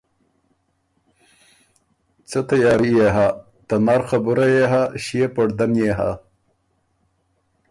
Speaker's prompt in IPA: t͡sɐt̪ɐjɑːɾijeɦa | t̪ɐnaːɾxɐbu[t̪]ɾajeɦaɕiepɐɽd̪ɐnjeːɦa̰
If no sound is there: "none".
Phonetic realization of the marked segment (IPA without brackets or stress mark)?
none